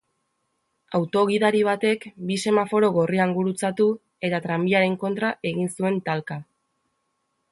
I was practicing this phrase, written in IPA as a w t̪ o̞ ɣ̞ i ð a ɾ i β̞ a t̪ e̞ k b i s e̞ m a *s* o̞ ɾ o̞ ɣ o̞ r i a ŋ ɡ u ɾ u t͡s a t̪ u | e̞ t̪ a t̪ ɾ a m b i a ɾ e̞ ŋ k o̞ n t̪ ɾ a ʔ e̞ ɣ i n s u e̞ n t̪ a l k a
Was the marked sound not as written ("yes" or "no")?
yes